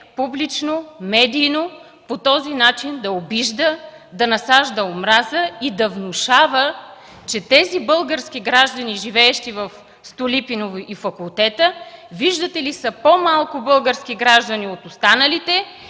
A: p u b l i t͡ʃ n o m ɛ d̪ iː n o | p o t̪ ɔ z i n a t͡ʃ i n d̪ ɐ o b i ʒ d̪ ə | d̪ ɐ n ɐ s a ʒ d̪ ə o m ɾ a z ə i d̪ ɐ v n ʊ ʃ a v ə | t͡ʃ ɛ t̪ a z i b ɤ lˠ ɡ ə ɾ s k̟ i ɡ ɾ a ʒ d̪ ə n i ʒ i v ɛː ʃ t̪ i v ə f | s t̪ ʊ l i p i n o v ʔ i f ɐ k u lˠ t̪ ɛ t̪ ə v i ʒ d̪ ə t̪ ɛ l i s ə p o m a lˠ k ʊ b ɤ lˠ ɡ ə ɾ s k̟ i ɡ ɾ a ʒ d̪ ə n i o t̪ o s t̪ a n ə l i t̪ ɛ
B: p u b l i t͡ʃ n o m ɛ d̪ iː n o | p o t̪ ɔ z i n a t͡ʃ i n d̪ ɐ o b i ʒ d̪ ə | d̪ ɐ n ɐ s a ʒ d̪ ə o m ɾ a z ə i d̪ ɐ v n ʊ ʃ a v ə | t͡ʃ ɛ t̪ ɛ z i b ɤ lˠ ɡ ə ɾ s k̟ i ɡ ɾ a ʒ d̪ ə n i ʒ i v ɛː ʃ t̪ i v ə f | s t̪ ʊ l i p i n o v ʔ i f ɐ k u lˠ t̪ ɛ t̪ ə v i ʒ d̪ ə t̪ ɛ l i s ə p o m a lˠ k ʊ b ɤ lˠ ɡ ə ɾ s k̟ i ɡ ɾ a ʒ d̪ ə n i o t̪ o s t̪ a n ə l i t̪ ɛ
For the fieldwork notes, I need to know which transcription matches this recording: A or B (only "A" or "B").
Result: B